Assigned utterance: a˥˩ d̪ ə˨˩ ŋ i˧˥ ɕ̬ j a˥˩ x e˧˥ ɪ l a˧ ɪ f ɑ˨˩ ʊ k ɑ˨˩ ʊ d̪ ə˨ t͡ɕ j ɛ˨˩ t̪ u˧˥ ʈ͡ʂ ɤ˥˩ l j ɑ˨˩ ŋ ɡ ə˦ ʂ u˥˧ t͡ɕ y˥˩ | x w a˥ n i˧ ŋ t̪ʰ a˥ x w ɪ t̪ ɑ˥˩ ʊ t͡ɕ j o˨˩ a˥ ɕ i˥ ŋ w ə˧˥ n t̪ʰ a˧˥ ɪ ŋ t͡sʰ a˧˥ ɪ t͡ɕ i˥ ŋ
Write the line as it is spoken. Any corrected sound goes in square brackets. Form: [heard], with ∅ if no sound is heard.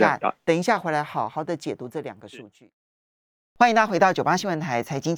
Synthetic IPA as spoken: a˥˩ [t̪] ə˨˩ ŋ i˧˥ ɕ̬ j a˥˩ x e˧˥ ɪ l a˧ ɪ [x] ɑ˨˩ ʊ [x] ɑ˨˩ ʊ d̪ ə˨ t͡ɕ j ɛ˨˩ t̪ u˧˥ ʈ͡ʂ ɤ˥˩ l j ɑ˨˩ ŋ ɡ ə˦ ʂ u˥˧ t͡ɕ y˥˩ | x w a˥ n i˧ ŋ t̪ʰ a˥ x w ɪ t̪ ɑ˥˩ ʊ t͡ɕ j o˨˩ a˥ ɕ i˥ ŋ w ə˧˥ n t̪ʰ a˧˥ ɪ [∅] t͡sʰ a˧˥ ɪ t͡ɕ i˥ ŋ